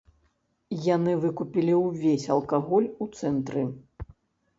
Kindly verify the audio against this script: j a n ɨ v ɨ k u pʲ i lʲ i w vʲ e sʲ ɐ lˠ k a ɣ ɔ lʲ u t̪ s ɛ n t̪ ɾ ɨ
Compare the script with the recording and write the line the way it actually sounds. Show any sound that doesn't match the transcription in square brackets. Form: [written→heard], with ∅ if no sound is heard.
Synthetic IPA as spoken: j a n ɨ v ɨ k u pʲ i lʲ i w vʲ e sʲ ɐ lˠ k a ɣ ɔ lʲ u t̪ s ɛ n t̪ ɾ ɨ